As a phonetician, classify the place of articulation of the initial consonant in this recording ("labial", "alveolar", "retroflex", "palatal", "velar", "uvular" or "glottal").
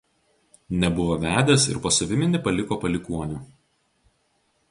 alveolar